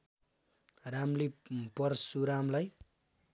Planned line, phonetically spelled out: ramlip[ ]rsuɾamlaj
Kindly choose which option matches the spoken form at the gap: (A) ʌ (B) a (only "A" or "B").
A